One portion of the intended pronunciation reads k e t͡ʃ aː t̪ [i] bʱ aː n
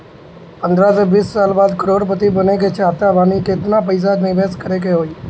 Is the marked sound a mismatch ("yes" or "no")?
yes